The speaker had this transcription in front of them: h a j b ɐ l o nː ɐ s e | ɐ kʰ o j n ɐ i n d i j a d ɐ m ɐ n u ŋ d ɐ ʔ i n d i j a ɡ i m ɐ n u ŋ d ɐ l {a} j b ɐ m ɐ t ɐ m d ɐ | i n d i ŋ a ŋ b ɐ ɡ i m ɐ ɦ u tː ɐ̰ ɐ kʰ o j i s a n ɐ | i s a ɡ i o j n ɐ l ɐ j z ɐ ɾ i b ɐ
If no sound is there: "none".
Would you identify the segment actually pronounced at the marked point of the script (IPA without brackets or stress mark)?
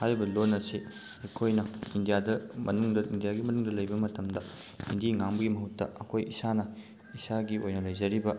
ɐ